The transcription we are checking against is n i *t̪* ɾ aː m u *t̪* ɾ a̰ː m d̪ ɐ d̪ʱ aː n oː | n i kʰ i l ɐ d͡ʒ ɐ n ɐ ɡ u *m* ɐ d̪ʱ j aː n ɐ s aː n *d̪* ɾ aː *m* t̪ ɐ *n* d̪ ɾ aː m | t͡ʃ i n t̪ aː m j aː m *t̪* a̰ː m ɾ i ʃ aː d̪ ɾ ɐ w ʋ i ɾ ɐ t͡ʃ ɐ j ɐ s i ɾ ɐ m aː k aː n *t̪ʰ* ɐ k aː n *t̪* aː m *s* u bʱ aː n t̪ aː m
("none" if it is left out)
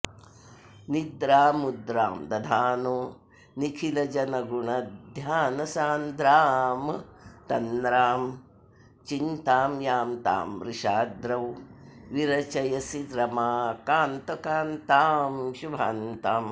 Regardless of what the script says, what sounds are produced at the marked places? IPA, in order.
d̪, d̪, ɳ, d̪, m, n, t̪, t̪, t̪, ʃ

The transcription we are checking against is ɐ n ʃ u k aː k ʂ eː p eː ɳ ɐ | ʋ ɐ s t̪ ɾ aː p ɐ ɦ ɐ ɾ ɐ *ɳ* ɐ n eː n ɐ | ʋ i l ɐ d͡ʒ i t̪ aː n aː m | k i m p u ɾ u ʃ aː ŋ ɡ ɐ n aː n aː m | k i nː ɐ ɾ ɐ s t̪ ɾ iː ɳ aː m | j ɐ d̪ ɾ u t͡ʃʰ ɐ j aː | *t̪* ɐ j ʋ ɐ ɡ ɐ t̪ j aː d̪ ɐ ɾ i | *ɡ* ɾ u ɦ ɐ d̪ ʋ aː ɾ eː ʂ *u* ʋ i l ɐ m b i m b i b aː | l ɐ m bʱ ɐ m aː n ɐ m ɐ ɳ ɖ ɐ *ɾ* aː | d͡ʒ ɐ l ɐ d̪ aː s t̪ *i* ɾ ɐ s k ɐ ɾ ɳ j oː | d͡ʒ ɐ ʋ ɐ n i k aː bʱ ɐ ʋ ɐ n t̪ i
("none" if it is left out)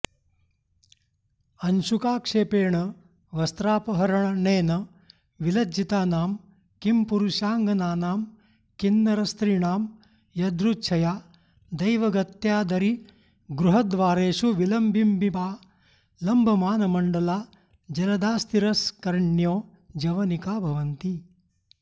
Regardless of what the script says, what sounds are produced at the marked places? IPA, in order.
ɳ, d̪, ɡ, u, l, i

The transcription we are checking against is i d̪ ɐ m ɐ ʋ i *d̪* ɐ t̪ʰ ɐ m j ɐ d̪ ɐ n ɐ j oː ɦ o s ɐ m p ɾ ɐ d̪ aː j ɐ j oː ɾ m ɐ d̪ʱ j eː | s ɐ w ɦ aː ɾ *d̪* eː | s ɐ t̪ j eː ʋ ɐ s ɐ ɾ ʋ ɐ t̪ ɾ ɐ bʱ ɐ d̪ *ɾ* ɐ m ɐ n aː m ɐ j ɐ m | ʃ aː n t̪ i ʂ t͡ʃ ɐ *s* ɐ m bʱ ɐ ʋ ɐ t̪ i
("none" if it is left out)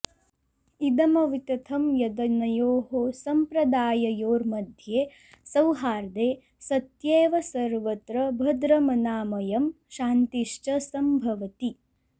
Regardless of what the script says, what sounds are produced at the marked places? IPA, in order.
t̪, d̪, ɾ, s

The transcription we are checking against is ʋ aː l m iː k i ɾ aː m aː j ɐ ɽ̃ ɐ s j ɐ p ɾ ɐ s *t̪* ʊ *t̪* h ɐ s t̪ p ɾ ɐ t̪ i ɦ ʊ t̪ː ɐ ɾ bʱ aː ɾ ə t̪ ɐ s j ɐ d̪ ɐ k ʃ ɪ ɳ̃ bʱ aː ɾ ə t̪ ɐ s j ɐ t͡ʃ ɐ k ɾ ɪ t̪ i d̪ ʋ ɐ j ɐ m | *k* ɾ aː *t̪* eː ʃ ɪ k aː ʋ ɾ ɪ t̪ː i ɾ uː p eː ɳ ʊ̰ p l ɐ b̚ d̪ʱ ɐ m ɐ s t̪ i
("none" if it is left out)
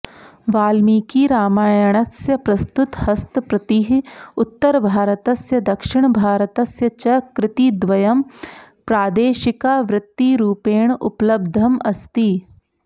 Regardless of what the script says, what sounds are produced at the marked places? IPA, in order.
t̪, t̪, p, d̪

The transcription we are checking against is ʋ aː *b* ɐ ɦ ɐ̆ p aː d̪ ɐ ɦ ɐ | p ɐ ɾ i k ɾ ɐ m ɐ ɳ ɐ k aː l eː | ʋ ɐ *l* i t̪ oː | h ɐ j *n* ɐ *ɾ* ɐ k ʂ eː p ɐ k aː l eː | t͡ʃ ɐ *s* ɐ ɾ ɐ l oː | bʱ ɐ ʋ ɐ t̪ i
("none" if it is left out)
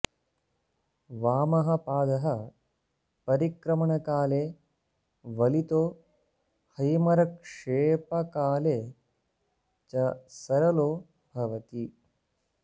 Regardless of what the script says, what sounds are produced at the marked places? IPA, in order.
m, l, m, ɾ, s

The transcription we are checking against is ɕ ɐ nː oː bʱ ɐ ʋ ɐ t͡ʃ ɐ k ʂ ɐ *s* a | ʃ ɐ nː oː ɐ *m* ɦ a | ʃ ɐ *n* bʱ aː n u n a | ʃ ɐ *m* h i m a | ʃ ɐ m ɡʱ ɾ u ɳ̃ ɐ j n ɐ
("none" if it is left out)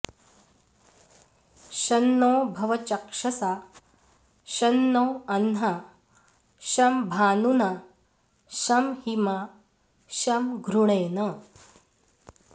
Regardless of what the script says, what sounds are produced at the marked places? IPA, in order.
s, n, m, m

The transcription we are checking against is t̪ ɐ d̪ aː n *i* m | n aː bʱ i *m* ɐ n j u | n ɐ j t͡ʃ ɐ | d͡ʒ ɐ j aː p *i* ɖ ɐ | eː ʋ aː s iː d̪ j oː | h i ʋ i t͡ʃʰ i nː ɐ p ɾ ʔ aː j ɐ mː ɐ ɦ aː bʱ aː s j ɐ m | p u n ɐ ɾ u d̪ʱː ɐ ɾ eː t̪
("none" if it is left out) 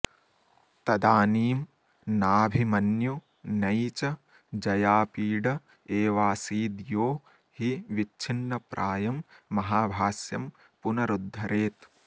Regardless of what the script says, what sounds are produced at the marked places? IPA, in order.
iː, m, iː

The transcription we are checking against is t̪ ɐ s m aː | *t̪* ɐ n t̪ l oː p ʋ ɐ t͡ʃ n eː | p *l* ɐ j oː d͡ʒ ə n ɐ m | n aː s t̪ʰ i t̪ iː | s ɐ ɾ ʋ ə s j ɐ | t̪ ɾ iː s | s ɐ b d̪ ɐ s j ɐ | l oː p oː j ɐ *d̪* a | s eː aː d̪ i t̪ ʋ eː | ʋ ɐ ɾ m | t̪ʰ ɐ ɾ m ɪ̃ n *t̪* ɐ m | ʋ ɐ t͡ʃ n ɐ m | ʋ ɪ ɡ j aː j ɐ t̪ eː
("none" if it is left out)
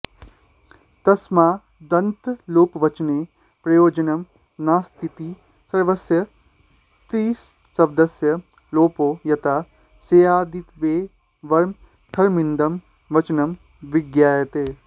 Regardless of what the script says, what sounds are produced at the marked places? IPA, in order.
d̪, ɾ, t̪, d̪

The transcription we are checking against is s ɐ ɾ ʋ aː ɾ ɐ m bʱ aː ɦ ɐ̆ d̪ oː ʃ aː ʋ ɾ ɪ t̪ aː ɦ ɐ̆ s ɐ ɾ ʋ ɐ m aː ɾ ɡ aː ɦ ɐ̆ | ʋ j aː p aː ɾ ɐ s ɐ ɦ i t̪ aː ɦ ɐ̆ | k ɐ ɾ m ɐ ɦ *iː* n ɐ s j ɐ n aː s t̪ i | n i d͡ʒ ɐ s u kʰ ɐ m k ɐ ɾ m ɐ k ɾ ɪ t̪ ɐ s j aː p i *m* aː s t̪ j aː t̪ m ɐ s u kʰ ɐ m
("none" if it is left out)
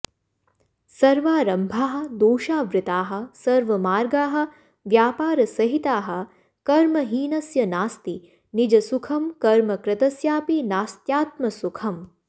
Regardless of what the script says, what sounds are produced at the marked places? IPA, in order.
iː, n

